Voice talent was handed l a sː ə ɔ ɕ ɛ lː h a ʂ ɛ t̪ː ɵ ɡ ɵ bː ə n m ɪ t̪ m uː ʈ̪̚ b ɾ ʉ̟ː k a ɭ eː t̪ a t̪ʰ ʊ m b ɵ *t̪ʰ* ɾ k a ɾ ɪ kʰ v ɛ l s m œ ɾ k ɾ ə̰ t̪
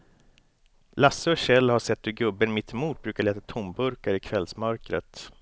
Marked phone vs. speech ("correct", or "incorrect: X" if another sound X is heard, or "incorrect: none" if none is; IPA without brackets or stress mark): incorrect: none